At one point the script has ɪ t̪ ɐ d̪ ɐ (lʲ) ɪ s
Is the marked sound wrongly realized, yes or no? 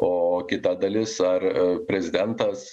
no